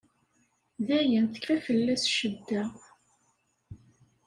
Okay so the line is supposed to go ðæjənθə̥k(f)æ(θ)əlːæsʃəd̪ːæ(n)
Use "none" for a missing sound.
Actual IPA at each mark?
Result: f, f, none

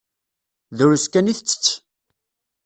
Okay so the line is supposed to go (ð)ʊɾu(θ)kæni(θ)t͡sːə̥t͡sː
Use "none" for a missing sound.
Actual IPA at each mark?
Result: ð, s, θ

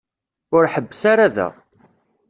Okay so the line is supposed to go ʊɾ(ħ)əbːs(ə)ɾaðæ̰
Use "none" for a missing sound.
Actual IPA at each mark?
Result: ħ, a

